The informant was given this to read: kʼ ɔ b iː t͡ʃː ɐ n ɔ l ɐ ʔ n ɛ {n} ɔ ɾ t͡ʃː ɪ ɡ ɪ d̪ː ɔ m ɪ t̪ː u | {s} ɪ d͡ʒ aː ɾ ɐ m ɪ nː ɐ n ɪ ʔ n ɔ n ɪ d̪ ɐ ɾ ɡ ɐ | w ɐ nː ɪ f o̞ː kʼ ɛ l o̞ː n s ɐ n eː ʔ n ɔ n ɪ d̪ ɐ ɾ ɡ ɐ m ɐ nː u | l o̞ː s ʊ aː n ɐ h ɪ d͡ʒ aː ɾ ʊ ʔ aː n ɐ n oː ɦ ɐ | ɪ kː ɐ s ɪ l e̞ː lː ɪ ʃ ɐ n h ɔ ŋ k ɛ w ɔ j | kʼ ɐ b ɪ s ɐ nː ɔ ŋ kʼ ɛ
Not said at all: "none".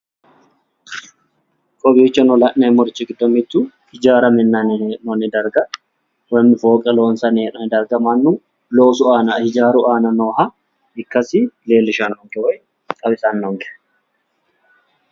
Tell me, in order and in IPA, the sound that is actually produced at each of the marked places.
m, h

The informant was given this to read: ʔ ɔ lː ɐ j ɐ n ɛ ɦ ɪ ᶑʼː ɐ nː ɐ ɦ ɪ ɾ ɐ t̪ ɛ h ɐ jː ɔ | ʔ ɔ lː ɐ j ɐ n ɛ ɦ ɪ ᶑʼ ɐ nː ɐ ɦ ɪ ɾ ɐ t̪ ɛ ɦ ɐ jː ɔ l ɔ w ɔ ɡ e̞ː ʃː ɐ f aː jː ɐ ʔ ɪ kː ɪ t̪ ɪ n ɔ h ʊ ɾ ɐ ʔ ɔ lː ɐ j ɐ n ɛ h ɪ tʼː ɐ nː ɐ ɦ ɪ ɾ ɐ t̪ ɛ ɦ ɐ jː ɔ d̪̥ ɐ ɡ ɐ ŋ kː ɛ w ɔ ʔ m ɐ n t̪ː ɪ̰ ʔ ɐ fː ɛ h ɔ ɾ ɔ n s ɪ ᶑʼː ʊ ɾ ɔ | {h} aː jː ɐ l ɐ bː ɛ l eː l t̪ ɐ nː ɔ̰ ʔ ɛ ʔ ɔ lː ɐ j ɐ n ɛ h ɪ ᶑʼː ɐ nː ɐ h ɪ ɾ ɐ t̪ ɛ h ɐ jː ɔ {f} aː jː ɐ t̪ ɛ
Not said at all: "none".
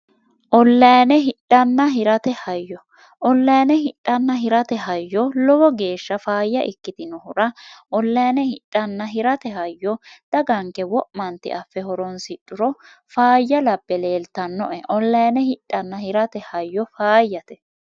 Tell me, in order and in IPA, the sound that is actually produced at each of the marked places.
f, f

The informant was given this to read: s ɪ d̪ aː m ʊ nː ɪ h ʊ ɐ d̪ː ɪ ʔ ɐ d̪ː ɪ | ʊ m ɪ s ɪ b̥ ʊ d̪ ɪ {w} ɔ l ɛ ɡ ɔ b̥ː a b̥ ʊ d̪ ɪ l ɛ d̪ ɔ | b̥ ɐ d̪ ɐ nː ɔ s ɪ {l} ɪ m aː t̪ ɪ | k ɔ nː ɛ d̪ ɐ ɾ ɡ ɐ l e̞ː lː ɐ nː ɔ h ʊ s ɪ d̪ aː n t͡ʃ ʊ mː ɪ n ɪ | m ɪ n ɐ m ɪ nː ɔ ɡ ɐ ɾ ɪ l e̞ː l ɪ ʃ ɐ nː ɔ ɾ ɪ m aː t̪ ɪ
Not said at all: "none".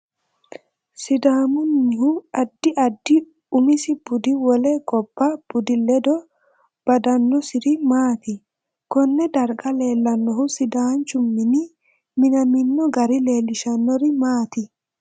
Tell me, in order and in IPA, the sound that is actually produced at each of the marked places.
w, ɾ

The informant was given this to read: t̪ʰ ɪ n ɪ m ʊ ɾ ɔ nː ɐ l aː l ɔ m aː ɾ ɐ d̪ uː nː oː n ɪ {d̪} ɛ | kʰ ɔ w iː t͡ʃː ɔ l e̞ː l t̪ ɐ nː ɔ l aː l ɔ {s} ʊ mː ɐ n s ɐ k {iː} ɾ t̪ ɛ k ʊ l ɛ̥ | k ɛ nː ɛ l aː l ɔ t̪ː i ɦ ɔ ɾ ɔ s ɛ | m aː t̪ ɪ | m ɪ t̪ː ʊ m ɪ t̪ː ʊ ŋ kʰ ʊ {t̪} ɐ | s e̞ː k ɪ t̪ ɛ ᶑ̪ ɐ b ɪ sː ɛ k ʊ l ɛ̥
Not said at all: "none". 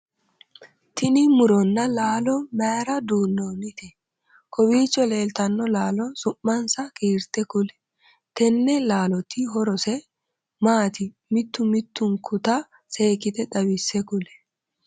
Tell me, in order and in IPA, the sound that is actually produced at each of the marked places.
t̪, s, iː, t̪

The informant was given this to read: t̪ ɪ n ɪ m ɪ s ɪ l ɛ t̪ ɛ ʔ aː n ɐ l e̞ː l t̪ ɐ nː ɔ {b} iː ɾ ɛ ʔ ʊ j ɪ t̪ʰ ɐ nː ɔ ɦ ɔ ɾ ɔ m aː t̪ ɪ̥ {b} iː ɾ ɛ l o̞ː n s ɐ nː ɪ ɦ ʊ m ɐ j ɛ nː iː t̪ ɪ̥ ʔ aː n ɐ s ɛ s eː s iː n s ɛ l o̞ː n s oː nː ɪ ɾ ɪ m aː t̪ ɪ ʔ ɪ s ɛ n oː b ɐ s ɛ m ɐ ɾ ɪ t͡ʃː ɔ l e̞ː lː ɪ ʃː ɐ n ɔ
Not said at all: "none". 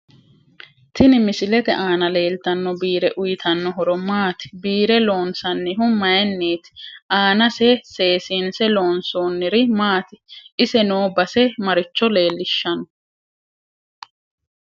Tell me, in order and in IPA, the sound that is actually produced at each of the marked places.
b, b

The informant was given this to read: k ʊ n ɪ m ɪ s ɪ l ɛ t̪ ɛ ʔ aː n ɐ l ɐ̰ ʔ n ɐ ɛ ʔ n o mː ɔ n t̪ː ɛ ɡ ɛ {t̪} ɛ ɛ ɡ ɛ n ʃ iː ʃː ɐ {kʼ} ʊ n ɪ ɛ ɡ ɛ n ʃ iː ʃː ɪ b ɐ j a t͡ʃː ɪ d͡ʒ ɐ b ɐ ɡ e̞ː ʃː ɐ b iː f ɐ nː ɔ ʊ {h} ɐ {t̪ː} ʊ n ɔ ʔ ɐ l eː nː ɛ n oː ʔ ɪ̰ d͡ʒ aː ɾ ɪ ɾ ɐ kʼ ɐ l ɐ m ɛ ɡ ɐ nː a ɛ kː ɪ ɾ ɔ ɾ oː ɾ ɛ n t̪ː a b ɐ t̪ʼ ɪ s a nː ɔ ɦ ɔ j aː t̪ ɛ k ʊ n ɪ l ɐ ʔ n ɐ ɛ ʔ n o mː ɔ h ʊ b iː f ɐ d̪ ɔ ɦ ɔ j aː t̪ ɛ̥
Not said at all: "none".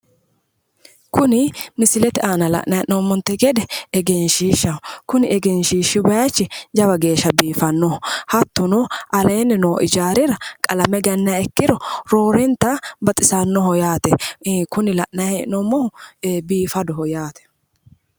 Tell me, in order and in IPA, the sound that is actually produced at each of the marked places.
d̪, k, h, t̪ː

